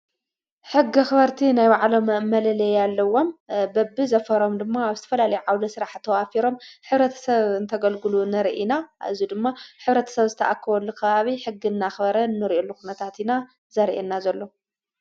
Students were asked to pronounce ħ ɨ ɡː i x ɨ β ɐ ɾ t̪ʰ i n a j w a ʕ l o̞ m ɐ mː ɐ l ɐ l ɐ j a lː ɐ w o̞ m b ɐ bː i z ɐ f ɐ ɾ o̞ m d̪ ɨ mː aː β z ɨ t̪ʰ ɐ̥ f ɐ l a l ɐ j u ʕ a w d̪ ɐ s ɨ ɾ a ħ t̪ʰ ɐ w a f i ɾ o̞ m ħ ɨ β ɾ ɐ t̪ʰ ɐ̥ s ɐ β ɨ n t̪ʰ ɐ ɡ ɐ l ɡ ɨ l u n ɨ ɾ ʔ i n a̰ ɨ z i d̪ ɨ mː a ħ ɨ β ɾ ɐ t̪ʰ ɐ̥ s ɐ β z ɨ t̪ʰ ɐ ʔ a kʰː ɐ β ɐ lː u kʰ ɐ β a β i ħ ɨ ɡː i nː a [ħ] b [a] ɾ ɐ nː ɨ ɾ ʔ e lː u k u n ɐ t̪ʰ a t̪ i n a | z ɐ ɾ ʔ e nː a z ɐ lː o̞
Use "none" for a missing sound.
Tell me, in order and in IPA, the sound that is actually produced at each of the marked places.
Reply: x, ɐ

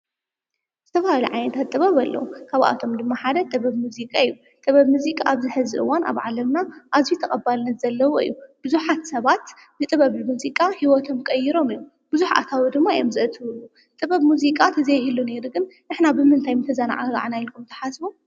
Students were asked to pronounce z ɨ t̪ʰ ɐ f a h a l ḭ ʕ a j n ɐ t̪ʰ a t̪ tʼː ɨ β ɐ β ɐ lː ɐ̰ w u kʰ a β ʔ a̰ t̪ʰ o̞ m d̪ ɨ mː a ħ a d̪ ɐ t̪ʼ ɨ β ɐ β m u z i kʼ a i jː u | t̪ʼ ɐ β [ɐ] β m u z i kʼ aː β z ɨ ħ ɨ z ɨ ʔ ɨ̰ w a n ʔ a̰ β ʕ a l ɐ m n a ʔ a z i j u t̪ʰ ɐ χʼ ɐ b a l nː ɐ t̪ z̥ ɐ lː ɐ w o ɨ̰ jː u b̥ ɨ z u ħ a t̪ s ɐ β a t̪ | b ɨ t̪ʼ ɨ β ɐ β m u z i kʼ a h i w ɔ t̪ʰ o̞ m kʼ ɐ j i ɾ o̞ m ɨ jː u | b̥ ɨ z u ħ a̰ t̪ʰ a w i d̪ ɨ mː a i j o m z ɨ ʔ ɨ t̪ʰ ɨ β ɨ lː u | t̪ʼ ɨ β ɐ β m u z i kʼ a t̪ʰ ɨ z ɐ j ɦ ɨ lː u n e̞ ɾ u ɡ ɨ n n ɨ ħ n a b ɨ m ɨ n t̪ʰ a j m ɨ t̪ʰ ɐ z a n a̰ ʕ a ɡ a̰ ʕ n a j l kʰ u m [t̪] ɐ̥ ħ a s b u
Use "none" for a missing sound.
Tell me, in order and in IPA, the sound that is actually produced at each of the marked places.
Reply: ɐ, t̪ʰ

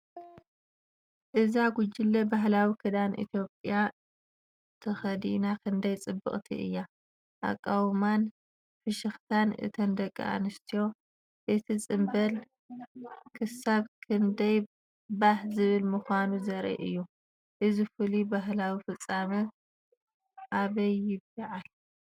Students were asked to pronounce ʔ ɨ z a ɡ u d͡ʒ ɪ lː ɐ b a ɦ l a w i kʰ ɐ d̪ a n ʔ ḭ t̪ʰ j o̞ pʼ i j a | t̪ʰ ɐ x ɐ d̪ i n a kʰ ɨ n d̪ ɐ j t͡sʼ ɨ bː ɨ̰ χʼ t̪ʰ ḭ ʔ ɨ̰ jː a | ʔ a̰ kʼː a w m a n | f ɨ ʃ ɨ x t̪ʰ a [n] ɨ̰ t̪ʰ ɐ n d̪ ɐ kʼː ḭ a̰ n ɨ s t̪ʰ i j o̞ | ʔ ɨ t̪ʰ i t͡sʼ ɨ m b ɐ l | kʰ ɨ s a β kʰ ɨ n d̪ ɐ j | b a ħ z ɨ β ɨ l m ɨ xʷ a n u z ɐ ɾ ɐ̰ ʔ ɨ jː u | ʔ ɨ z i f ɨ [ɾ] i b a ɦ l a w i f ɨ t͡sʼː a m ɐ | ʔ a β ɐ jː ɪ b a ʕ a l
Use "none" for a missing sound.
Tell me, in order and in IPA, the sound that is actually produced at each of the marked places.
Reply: n, l

